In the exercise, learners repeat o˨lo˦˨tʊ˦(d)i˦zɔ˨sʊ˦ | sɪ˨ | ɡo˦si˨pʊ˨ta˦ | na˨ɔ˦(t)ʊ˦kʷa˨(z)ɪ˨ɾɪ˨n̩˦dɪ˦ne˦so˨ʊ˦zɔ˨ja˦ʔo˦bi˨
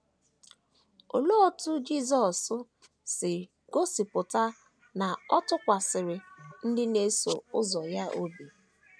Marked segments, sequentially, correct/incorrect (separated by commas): incorrect, correct, incorrect